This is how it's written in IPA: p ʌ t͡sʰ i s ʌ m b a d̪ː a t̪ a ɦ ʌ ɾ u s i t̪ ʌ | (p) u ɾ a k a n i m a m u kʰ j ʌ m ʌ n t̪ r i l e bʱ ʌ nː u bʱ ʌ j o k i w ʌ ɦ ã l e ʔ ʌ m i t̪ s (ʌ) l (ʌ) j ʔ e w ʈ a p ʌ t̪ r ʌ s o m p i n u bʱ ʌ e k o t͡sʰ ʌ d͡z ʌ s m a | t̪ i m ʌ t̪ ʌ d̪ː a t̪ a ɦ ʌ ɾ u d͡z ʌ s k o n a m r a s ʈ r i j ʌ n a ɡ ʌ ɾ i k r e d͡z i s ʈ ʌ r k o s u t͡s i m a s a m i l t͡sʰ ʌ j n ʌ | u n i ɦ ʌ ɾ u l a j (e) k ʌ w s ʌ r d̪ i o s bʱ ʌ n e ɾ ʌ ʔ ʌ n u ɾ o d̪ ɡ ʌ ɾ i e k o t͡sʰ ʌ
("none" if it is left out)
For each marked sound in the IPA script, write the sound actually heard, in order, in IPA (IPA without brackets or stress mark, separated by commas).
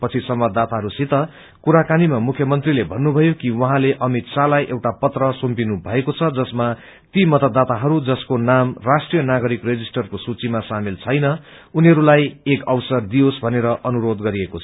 k, a, a, e